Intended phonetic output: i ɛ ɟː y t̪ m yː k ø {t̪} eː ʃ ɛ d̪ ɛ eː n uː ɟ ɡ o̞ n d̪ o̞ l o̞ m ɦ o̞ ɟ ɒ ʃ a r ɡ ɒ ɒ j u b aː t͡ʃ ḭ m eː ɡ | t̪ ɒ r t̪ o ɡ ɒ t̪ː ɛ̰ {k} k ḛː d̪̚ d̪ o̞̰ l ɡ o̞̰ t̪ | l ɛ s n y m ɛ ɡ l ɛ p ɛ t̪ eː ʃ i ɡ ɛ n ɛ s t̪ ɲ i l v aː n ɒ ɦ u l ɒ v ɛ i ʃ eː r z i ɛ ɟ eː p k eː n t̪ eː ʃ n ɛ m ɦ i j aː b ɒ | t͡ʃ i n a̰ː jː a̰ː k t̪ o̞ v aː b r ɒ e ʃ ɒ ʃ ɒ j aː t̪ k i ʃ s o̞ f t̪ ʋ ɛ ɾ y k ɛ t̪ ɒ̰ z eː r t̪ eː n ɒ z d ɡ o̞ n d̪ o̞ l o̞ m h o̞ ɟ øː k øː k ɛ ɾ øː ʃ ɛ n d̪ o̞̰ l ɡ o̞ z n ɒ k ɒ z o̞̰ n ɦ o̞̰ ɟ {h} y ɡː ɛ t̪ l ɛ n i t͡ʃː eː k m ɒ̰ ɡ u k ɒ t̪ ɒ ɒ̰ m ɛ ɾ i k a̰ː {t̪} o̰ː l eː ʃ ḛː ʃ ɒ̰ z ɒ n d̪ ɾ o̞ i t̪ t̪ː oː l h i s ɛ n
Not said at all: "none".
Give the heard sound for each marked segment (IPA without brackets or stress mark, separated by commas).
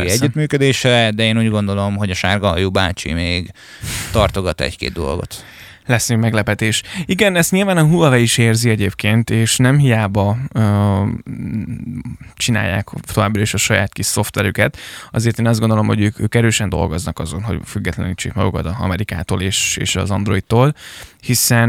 d̪, c, f, t̪